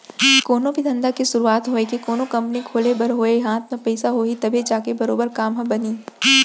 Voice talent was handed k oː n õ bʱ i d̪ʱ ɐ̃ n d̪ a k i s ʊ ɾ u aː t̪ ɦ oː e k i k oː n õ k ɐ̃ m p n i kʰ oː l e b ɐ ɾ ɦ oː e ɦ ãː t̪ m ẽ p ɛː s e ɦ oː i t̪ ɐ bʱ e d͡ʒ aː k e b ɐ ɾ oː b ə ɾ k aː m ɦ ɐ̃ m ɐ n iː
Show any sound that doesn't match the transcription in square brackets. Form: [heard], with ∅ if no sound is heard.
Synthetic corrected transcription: k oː n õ bʱ i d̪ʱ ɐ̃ n d̪ a k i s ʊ ɾ u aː t̪ ɦ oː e k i k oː n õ k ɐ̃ m p n i kʰ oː l e b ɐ ɾ ɦ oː e ɦ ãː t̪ m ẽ p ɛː s [a] ɦ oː i t̪ ɐ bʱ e d͡ʒ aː k e b ɐ ɾ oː b ə ɾ k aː m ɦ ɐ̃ [b] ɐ n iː